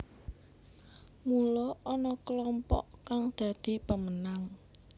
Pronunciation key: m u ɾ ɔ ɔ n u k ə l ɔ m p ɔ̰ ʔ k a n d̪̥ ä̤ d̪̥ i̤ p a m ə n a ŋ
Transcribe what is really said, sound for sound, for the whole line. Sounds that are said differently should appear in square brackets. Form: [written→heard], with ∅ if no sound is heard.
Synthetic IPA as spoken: m u [ɾ→l] ɔ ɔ n [u→ɔ] k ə l ɔ m p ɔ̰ ʔ k a [n→ŋ] d̪̥ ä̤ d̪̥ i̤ p [a→ə] m ə n a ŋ